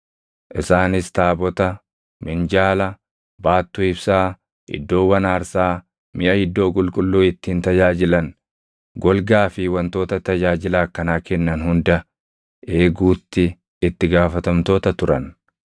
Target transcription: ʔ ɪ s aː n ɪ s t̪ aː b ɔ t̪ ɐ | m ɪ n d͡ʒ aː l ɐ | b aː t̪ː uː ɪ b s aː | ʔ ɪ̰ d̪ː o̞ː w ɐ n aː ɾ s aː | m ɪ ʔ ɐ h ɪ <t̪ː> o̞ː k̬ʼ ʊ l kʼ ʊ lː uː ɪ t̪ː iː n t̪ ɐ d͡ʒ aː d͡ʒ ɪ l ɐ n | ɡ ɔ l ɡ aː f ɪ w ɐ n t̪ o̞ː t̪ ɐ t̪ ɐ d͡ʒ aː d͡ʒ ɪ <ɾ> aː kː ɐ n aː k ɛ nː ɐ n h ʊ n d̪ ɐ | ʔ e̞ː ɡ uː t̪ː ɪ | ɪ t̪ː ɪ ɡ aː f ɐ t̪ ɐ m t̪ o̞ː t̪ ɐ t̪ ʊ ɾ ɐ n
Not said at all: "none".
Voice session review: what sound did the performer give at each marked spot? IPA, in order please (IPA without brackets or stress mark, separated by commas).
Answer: d̪ː, l